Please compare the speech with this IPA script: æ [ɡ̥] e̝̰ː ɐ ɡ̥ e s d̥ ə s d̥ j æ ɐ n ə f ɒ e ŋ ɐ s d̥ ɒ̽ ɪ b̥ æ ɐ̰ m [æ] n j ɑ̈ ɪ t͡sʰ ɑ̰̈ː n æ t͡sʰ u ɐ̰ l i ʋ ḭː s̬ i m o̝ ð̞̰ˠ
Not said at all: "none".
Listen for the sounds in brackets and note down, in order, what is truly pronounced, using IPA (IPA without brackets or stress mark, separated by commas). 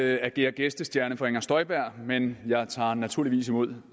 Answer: ɡ̥, e